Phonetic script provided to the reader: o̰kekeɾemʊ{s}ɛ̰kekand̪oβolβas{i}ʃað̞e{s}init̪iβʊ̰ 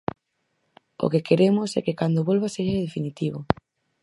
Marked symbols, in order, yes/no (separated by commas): yes, no, no